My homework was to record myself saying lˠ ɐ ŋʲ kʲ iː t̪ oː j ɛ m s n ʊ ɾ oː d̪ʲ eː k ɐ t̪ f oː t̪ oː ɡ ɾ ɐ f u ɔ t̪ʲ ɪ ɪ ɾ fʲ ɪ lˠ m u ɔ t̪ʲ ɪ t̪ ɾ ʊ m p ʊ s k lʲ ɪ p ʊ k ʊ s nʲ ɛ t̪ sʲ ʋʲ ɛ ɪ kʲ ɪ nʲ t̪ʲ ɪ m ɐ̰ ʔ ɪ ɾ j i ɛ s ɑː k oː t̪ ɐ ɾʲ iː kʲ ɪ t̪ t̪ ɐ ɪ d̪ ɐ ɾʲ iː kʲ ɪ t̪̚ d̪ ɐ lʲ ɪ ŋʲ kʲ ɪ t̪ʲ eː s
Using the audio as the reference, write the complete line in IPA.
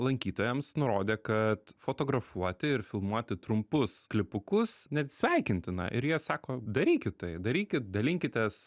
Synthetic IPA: lˠ ɐ ŋʲ kʲ iː t̪ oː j ɛ m s n ʊ ɾ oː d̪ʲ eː k ɐ t̪ f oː t̪ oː ɡ ɾ ɐ f u ɔ t̪ʲ ɪ ɪ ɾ fʲ ɪ lˠ m u ɔ t̪ʲ ɪ t̪ ɾ ʊ m p ʊ s k lʲ ɪ p ʊ k ʊ s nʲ ɛ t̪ sʲ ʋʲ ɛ ɪ kʲ ɪ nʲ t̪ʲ ɪ n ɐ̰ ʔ ɪ ɾ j i ɛ s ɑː k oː d̪ ɐ ɾʲ iː kʲ ɪ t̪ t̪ ɐ ɪ d̪ ɐ ɾʲ iː kʲ ɪ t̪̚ d̪ ɐ lʲ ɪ ŋʲ kʲ ɪ t̪ʲ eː s